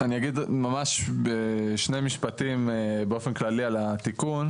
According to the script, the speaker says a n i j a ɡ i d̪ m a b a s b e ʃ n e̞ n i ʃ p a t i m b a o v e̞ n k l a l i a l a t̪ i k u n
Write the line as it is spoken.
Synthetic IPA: a n i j a ɡ i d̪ m a m a ʃ b e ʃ n e̞ m i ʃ p a t i m b e o f e̞ n k l a l i a l a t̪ i k u n